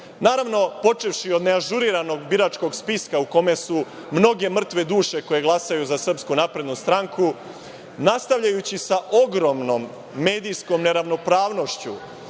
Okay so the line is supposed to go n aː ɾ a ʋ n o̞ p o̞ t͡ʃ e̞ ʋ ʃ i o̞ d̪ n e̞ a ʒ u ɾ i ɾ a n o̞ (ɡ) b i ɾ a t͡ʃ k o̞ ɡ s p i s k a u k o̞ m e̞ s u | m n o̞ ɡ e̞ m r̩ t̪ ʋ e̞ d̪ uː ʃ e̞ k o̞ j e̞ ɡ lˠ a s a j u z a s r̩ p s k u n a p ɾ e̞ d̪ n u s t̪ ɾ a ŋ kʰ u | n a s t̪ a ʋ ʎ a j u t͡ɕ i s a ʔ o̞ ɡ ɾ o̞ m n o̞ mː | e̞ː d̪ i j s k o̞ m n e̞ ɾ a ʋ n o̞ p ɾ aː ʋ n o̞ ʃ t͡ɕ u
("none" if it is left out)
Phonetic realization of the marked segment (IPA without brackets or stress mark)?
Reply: ɡ